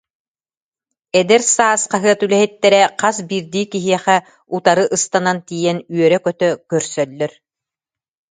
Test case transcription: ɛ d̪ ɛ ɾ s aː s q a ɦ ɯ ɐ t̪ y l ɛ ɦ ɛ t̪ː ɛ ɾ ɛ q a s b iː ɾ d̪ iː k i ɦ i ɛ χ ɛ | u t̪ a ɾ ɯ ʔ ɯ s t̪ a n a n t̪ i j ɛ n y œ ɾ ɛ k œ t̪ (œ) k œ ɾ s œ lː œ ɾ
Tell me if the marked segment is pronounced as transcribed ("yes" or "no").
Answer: yes